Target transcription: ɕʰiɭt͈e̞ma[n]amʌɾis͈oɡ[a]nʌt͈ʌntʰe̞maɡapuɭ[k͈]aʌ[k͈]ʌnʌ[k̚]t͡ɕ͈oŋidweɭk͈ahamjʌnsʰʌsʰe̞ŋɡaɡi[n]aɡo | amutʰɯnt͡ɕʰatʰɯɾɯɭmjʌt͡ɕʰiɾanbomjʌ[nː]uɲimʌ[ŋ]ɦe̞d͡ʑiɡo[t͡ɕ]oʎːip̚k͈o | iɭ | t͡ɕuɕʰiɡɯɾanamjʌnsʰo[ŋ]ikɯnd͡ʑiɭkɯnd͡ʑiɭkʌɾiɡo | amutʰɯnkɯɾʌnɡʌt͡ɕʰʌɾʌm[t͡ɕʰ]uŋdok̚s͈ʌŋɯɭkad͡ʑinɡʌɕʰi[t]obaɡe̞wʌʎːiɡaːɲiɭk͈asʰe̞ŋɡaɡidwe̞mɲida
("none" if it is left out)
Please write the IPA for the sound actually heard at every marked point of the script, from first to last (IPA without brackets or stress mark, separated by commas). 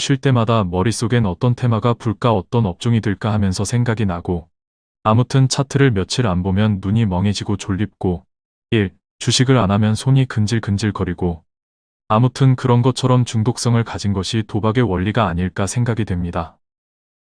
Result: d, e, k͈, t͈, p̚, n, nː, ŋ, t͡ɕ, ɲ, t͡ɕ, t